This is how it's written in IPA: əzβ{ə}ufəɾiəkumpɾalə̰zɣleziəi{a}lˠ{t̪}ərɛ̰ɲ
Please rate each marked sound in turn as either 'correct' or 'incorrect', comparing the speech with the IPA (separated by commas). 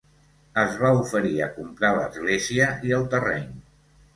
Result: incorrect, incorrect, correct